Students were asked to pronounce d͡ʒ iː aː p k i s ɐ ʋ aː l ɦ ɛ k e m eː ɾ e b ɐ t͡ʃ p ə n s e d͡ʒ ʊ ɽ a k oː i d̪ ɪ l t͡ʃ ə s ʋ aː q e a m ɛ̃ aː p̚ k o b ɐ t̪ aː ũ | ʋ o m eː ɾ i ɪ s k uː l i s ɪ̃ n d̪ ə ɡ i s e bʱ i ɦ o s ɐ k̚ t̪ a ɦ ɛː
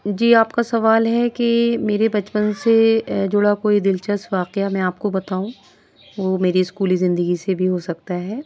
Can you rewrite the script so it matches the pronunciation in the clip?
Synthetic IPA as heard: d͡ʒ iː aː p k a s ɐ ʋ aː l ɦ ɛ k e m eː ɾ e b ɐ t͡ʃ p ə n s e d͡ʒ ʊ ɽ a k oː i d̪ ɪ l t͡ʃ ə s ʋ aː q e a m ɛ̃ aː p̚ k o b ɐ t̪ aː ũ | ʋ o m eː ɾ i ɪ s k uː l i z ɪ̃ n d̪ ə ɡ i s e bʱ i ɦ o s ɐ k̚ t̪ a ɦ ɛː